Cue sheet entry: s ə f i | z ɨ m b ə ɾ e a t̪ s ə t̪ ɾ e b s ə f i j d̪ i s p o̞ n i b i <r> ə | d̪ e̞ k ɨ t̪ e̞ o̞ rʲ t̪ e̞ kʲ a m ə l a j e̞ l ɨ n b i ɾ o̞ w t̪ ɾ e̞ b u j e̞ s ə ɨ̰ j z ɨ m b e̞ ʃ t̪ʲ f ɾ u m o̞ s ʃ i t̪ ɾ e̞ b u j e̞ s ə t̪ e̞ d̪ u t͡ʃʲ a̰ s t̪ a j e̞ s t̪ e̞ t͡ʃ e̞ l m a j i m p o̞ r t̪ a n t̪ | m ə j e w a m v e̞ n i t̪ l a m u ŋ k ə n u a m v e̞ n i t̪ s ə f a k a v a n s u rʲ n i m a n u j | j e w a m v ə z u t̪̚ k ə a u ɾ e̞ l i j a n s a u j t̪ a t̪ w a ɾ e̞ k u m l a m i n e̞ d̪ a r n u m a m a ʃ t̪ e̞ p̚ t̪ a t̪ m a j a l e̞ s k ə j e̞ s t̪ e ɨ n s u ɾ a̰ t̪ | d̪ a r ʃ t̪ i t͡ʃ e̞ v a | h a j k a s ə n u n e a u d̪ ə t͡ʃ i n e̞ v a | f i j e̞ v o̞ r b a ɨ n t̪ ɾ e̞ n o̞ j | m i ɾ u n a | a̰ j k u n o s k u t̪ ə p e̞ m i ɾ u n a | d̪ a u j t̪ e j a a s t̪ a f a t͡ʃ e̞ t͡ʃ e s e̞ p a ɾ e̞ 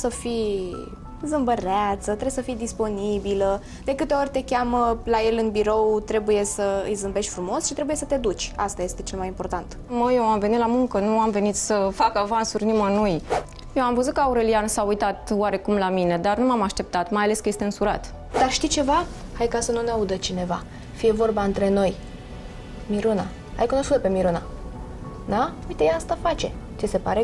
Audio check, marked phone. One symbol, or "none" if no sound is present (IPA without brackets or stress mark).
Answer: l